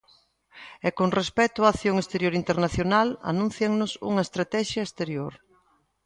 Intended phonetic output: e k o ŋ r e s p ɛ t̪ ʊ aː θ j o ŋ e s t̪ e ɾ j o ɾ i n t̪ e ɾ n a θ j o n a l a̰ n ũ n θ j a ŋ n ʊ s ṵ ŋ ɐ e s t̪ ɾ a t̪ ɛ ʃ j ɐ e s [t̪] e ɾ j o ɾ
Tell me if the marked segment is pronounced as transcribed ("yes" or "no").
yes